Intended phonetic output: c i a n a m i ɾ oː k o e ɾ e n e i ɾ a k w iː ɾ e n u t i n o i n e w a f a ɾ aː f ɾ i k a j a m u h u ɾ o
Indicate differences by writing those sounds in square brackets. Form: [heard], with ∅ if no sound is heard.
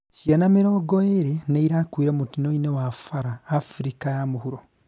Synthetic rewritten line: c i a n a m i ɾ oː [ɡ] o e ɾ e n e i ɾ a k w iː ɾ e [m] u t i n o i n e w a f a ɾ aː f ɾ i k a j a m u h u ɾ o